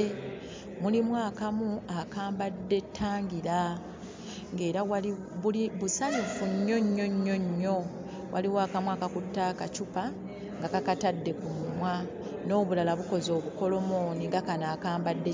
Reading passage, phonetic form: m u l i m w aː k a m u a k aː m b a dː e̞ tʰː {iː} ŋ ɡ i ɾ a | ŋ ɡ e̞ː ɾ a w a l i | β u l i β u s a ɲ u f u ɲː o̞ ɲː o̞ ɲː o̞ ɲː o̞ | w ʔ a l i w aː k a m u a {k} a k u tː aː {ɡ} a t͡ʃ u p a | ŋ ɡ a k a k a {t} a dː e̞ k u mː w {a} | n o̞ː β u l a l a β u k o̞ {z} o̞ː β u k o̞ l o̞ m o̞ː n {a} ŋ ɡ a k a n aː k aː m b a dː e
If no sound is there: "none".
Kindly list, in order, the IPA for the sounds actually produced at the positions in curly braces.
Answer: aː, k, k, t, a, z, i

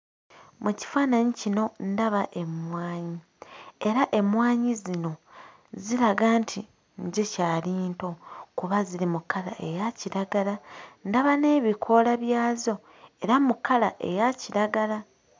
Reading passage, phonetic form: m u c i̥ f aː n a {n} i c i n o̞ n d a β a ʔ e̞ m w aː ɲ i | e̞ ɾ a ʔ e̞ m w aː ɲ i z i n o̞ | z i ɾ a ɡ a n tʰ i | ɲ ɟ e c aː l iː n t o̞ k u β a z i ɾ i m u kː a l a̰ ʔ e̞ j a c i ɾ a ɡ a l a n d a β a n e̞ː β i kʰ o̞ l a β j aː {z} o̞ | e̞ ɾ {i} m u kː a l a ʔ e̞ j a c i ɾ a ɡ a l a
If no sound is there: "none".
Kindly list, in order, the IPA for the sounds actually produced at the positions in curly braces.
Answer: ɲ, z, a

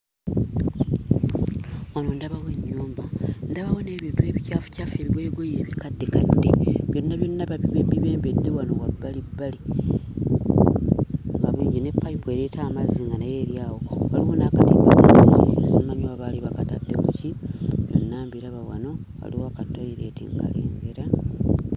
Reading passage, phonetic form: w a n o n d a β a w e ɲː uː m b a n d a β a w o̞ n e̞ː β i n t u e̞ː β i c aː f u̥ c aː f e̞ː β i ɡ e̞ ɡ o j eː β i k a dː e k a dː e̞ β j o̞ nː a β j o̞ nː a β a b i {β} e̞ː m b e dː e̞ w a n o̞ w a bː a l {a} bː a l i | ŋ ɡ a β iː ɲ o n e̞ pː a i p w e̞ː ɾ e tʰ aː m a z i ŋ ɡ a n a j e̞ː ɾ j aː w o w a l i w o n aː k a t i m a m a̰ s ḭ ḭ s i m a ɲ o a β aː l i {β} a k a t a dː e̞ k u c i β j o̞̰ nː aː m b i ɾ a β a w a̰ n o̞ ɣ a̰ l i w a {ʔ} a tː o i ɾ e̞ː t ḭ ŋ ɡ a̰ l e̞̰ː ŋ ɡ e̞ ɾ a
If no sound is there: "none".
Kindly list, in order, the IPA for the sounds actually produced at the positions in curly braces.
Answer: β, i, β, k

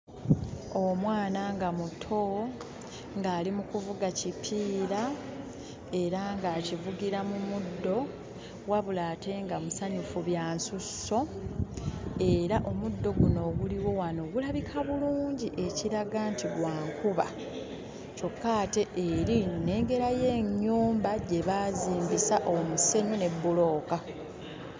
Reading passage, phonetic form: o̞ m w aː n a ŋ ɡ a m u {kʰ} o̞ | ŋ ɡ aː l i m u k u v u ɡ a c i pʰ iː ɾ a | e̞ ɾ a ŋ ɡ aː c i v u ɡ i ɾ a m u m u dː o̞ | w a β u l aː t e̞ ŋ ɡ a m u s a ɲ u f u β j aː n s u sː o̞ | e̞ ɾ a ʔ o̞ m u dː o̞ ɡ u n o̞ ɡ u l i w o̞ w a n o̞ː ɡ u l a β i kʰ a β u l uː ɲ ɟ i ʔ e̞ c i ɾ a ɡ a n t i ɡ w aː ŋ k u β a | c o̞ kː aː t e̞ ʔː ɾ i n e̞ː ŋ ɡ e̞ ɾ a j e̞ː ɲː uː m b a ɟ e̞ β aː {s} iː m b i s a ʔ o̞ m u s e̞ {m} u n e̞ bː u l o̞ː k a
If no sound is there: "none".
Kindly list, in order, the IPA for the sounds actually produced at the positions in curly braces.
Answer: tʰ, z, ɲ

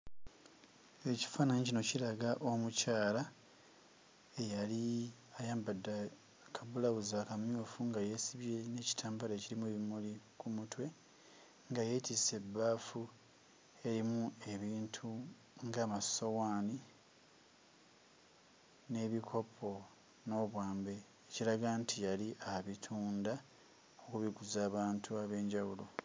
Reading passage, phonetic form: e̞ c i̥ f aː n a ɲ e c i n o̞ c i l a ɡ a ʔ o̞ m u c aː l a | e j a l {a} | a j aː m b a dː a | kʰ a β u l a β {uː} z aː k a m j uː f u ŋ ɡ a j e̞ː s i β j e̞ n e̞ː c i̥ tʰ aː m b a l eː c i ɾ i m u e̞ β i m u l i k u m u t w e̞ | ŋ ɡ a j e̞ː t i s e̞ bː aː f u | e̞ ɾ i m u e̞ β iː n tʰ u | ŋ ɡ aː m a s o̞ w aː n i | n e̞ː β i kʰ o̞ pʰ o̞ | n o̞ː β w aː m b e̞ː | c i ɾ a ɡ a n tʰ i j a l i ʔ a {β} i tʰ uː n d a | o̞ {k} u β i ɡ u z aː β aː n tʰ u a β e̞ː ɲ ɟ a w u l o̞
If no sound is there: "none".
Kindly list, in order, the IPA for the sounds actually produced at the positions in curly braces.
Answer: i, u, β, k

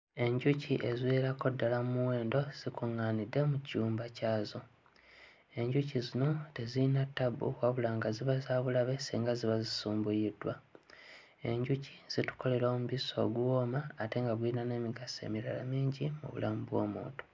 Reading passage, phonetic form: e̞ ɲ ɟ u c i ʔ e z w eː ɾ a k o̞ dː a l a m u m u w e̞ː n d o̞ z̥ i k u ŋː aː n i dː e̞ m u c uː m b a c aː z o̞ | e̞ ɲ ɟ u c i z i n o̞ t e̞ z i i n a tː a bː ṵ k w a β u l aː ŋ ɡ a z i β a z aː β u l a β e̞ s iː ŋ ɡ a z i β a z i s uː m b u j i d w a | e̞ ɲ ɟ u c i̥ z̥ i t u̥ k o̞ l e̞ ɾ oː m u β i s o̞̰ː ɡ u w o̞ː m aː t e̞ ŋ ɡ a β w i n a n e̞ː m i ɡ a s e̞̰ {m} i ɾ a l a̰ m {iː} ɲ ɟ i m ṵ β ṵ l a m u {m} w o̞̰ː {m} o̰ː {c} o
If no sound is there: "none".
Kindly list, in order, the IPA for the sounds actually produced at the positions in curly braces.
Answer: m, iː, b, m, t

